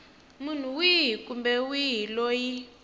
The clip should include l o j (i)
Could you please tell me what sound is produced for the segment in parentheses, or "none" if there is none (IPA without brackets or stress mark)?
i